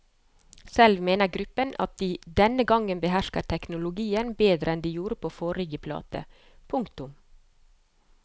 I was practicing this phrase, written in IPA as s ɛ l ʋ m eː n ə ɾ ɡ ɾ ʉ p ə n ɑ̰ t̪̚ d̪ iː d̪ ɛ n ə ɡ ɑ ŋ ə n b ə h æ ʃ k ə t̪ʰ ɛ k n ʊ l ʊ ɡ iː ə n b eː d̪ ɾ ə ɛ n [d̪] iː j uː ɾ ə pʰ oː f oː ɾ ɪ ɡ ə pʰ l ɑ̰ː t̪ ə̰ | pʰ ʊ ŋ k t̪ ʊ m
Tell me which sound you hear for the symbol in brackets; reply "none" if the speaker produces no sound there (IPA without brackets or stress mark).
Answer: d̪